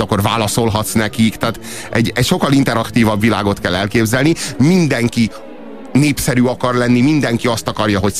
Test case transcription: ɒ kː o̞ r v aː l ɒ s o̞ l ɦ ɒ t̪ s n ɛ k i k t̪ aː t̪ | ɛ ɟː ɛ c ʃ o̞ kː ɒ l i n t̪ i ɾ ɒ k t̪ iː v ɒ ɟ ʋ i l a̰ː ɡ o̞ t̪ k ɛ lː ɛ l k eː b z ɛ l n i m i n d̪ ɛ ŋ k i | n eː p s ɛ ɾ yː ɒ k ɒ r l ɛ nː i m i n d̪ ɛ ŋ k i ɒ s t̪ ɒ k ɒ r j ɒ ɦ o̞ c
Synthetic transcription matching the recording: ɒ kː o̞ r v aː l ɒ s o̞ l ɦ ɒ t̪ s n ɛ k i k t̪ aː t̪ | ɛ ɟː ɛ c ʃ o̞ kː ɒ l i n t̪ ɛ ɾ ɒ k t̪ iː v ɒ b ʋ i l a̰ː ɡ o̞ t̪ k ɛ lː ɛ l k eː b z ɛ l n i m i n d̪ ɛ ŋ k i | n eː p s ɛ ɾ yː ɒ k ɒ r l ɛ nː i m i n d̪ ɛ ŋ k i ɒ s t̪ ɒ k ɒ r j ɒ ɦ o̞ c